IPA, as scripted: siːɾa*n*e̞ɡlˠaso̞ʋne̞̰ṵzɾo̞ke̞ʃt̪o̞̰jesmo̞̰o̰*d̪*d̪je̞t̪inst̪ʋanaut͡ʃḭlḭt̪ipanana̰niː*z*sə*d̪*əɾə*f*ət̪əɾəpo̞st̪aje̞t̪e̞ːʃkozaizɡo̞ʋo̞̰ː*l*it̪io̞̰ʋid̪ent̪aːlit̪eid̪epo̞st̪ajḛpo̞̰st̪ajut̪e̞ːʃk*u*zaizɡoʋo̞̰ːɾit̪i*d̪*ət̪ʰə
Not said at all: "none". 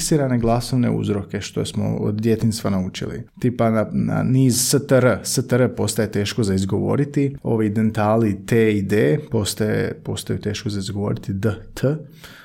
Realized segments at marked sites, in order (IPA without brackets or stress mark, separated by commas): n, d̪, z, t̪, s, ɾ, o, d̪